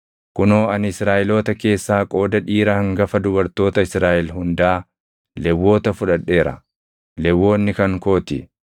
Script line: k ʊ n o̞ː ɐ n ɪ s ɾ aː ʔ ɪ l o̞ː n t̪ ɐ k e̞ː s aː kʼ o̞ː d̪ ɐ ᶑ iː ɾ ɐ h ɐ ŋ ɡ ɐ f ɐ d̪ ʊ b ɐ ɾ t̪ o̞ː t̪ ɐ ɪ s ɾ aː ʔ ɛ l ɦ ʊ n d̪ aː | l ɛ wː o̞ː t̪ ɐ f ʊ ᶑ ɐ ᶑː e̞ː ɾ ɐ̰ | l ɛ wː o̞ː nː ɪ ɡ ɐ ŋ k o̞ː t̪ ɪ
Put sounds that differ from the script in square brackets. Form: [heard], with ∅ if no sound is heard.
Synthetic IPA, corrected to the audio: k ʊ n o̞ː ɐ n ɪ s ɾ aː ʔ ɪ l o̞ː [∅] t̪ ɐ k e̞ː [sː] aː kʼ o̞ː d̪ ɐ ᶑ iː ɾ ɐ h ɐ ŋ ɡ ɐ f ɐ d̪ ʊ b ɐ ɾ t̪ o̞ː t̪ ɐ ɪ s ɾ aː ʔ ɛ l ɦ ʊ n d̪ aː | l ɛ wː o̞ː t̪ ɐ f ʊ ᶑ ɐ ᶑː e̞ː ɾ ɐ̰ | l ɛ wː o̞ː nː ɪ [k] ɐ ŋ k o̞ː t̪ ɪ